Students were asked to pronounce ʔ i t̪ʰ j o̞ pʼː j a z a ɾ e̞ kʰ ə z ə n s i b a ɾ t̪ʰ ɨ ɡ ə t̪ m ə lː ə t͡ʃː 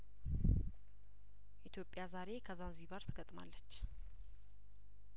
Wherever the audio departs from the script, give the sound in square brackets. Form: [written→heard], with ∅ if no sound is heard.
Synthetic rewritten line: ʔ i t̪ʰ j o̞ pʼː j a z a ɾ e̞ kʰ ə z [ə→a] n [s→z] i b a ɾ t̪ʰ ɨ ɡ ə [t̪→t̪ʼ] m [ə→a] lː ə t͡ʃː